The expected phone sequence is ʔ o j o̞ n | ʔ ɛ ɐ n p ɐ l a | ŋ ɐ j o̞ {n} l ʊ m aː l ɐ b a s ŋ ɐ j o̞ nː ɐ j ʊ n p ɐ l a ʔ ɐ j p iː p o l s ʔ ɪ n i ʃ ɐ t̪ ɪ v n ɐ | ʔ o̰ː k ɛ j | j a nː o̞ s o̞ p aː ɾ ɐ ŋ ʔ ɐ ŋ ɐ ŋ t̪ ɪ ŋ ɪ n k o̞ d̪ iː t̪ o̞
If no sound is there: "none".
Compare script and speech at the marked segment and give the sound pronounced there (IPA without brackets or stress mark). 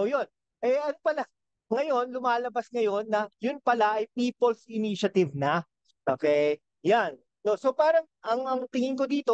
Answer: n